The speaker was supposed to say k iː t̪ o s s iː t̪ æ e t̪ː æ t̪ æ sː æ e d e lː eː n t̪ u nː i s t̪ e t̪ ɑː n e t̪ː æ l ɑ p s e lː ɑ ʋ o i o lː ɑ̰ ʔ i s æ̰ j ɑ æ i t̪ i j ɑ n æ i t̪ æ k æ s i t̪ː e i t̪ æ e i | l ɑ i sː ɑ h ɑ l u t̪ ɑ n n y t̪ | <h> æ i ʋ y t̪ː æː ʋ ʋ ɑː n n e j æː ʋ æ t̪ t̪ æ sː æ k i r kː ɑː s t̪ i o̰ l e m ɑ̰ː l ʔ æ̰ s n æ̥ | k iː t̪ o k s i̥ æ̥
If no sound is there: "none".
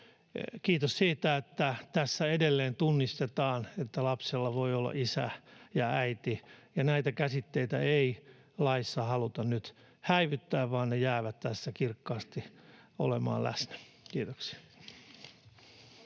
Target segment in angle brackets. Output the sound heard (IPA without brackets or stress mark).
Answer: h